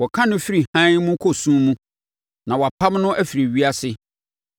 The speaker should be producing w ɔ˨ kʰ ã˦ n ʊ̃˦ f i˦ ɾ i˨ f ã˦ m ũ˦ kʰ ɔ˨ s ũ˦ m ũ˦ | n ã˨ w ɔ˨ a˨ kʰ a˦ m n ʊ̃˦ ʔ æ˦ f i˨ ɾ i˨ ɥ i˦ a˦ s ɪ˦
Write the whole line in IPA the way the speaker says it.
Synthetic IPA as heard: w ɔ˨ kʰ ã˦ n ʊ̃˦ f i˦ ɾ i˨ h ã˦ m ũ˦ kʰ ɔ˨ s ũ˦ m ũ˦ | n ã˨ w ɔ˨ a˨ pʰ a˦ m n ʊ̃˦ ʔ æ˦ f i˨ ɾ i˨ ɥ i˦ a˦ s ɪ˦